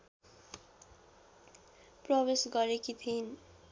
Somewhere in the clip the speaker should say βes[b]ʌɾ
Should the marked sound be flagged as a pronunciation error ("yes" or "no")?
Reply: yes